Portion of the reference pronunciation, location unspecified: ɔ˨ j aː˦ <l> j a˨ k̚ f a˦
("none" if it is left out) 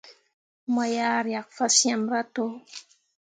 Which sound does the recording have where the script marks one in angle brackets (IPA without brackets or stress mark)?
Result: ɾ